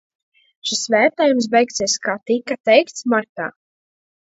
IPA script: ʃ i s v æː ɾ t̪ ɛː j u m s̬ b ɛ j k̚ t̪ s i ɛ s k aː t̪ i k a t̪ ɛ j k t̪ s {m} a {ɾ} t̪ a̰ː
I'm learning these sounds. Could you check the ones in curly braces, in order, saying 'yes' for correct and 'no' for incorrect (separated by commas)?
yes, yes